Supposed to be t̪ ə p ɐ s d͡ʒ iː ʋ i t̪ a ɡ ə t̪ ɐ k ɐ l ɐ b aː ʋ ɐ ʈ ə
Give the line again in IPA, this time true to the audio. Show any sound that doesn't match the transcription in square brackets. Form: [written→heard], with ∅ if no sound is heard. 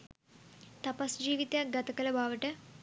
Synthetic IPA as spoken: t̪ [ə→ɐ] p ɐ s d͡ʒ iː ʋ i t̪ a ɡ [ə→ɐ] t̪ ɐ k ɐ l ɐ b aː ʋ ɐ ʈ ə